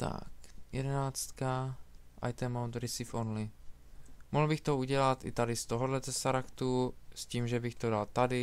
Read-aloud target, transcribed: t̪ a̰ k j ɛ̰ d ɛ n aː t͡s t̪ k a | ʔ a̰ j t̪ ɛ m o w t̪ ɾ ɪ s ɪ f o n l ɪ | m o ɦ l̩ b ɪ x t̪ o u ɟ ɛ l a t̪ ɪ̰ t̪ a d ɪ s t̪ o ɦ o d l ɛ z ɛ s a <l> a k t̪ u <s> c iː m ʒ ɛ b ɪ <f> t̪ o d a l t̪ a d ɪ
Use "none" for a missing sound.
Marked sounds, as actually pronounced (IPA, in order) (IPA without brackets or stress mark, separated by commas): ɾ, s, x